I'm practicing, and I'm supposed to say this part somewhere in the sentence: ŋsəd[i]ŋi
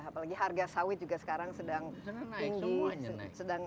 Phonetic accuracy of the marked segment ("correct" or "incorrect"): incorrect